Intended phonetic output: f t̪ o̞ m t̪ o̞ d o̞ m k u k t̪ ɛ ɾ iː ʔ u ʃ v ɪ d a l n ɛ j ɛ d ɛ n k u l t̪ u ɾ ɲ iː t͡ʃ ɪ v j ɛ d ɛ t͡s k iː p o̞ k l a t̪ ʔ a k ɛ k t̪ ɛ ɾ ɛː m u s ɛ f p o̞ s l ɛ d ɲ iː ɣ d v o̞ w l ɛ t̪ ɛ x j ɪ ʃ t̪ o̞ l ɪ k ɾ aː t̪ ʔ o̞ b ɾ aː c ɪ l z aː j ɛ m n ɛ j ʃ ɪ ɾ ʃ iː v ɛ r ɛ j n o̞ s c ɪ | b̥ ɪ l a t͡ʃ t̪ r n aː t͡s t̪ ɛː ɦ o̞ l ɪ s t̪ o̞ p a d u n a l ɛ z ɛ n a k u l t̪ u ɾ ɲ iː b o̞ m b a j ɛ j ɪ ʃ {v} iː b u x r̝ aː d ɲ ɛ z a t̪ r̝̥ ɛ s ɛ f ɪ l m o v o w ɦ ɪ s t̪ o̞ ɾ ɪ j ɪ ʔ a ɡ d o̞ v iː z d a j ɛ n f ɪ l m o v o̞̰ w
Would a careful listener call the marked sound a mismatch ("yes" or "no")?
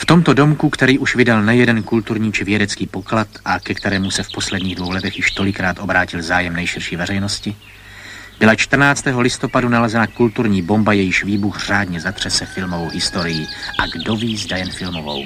no